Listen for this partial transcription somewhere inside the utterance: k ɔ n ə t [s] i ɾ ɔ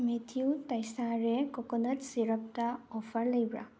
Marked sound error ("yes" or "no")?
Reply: no